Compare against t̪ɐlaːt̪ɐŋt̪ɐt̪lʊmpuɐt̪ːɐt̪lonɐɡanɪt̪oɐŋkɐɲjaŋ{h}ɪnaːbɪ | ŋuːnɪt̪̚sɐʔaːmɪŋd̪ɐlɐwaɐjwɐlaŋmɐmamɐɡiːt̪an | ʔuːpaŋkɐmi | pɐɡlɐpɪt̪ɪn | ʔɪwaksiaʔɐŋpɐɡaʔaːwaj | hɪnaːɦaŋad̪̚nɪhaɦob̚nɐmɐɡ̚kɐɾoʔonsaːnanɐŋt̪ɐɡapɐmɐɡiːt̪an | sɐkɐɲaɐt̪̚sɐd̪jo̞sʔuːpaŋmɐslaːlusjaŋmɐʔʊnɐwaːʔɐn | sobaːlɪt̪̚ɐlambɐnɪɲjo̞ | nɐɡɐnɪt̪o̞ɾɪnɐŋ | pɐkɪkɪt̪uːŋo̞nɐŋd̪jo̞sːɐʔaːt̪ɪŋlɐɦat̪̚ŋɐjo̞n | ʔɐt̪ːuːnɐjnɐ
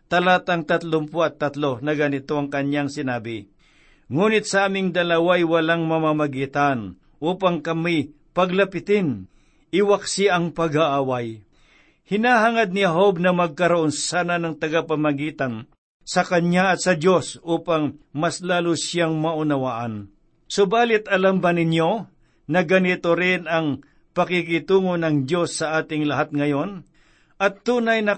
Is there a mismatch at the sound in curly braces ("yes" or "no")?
yes